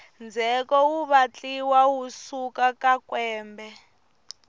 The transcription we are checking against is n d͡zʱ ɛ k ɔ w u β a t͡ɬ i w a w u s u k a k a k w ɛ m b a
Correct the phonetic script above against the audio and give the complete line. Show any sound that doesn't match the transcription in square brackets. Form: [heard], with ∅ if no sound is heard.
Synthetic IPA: n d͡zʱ ɛ k ɔ w u β a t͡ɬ i w a w u s u k a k a k w [ɛː] m b [ɛ]